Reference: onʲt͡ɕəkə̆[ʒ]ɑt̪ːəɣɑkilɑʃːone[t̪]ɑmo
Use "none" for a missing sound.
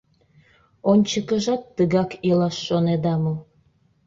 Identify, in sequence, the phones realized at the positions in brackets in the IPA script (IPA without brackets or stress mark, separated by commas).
ʒ, d̪